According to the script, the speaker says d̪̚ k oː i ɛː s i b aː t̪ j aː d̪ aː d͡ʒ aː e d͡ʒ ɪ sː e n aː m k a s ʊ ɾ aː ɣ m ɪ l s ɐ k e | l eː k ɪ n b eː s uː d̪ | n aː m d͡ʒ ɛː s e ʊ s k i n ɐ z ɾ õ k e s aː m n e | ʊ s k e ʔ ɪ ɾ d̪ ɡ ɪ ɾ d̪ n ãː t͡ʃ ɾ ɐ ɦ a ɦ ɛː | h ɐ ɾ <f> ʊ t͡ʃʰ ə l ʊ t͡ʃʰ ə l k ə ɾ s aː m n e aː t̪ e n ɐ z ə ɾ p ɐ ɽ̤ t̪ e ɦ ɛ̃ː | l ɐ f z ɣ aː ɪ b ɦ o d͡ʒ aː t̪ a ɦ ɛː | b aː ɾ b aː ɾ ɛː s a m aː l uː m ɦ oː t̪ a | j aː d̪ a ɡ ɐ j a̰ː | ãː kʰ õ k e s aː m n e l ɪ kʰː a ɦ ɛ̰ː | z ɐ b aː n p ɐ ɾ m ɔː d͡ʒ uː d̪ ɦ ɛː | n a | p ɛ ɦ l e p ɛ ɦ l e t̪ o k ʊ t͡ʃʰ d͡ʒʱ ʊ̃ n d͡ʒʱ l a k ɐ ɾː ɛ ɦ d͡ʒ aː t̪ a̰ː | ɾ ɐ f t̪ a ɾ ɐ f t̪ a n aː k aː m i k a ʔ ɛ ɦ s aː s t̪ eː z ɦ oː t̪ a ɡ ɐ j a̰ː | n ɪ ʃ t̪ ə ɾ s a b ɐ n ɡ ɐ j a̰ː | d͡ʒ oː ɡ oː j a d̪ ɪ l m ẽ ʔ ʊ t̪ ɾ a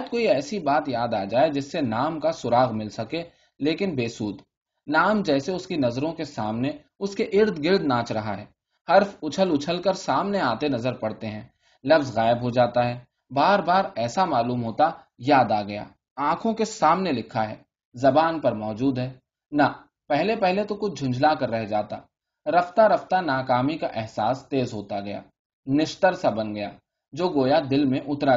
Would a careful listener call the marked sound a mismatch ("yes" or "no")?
no